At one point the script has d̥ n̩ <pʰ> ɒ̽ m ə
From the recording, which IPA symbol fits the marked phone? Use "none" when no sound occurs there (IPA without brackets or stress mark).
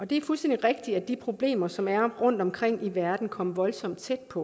kʰ